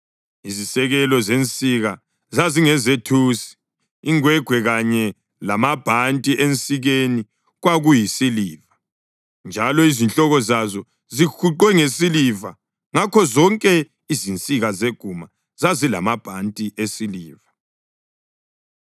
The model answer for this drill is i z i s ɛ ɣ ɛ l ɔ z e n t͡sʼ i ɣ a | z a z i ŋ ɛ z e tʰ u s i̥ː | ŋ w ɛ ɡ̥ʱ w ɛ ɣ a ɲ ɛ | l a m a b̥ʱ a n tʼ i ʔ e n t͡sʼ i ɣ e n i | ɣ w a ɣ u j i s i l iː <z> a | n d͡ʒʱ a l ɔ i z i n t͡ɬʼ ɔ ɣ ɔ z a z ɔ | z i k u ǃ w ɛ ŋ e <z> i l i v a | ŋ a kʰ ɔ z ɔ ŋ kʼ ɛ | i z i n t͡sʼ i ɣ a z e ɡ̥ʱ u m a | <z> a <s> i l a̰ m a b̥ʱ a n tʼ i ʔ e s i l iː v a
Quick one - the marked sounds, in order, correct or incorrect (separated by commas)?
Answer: incorrect, incorrect, correct, incorrect